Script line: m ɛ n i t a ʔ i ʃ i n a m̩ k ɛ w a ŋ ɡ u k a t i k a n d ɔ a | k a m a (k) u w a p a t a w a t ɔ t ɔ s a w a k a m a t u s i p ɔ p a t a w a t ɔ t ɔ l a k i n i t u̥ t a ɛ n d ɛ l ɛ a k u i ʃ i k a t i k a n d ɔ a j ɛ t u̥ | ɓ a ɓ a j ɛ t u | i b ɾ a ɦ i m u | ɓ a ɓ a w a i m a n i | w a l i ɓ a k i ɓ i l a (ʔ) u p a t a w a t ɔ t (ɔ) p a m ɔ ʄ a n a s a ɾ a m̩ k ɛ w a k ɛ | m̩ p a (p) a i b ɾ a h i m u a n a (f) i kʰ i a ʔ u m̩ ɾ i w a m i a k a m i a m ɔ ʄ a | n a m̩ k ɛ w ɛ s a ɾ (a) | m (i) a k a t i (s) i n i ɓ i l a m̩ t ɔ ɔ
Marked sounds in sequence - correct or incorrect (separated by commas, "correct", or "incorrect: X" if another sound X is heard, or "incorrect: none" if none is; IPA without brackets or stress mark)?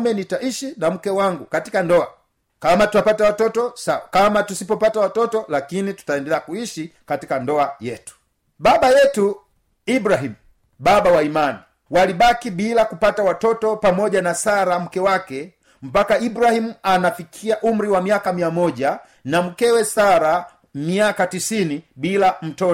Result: incorrect: t, incorrect: k, correct, incorrect: k, correct, correct, correct, correct